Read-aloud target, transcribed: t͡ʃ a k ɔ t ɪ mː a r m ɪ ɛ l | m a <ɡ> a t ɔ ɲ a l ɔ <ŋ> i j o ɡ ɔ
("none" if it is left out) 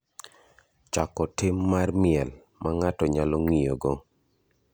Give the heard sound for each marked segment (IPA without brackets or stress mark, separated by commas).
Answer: ŋ, ŋ